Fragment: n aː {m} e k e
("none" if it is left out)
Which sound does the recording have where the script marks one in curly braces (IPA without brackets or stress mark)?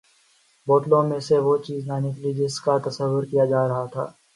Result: n